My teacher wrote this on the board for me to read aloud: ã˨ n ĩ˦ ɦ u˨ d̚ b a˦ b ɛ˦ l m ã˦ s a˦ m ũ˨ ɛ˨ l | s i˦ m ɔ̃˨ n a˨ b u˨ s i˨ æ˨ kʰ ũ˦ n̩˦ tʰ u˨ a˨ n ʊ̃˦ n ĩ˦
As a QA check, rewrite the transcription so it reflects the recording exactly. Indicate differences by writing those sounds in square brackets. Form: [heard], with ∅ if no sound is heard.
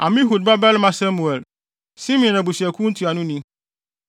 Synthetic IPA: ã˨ [m] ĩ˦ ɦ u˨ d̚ b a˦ b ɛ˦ l m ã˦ s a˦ m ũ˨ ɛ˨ l | s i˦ m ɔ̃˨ n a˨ b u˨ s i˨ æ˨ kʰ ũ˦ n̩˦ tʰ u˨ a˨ n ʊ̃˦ n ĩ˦